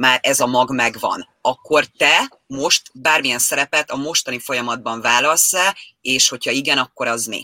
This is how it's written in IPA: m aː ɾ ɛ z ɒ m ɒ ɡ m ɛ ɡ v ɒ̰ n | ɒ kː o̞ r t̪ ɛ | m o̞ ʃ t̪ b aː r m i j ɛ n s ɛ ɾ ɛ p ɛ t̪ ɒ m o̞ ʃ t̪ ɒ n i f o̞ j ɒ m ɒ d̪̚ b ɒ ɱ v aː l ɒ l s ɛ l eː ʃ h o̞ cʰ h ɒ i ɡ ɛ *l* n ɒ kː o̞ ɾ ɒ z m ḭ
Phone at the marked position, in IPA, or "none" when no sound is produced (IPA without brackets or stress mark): none